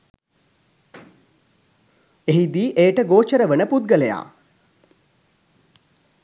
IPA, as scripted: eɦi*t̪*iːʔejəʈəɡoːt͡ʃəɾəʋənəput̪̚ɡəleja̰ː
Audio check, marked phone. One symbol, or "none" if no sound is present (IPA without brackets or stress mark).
d̪